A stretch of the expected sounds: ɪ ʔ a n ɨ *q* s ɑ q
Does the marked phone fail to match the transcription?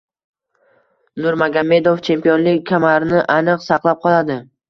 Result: no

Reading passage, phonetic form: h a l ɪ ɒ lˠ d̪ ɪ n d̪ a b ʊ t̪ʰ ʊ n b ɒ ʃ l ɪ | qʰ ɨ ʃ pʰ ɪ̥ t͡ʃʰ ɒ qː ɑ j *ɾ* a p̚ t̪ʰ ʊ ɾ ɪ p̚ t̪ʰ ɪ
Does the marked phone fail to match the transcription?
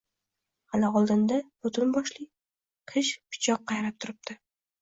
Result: no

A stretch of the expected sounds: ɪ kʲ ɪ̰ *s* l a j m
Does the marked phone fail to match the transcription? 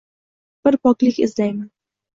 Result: yes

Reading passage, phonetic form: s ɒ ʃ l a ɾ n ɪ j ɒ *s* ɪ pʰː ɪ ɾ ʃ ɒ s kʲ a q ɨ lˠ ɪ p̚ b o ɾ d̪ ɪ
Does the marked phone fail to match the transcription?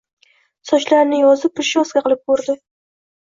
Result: yes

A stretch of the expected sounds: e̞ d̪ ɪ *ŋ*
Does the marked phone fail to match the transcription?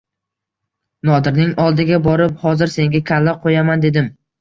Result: yes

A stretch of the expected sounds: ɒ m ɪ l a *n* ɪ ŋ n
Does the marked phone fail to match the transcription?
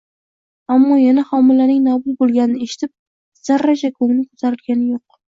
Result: no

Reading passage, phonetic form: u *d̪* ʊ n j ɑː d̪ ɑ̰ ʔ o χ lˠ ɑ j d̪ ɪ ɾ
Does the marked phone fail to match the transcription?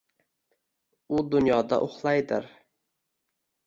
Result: no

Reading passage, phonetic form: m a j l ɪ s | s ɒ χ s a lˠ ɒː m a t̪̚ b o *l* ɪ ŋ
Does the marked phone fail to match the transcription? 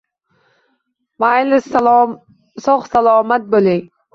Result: no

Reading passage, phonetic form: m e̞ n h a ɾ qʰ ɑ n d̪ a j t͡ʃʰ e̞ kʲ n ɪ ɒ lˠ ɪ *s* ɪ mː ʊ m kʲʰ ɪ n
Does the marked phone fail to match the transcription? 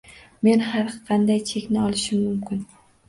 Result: yes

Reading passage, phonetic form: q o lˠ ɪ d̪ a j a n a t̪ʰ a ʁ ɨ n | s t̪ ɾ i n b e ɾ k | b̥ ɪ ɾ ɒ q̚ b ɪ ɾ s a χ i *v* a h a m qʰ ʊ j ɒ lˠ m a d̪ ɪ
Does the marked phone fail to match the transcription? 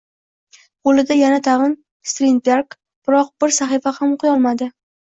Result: yes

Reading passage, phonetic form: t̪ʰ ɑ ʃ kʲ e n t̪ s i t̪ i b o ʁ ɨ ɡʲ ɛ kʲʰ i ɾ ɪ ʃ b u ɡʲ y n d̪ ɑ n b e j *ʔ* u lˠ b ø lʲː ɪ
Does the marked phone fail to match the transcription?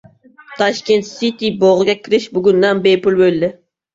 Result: yes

